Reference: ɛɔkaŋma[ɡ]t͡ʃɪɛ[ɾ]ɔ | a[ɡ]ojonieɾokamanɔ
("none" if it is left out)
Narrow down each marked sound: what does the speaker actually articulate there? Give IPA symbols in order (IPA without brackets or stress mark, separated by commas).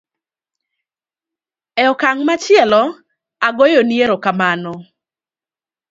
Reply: none, l, ɡ